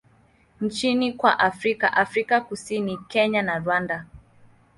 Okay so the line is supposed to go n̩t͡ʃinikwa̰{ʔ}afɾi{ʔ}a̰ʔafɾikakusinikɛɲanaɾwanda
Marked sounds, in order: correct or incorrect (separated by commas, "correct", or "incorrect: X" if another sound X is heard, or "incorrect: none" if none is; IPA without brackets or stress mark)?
correct, incorrect: k